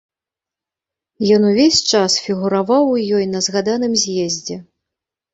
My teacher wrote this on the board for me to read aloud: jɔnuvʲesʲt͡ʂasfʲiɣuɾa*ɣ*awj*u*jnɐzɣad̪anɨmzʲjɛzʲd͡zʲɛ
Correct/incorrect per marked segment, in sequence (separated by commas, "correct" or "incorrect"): incorrect, incorrect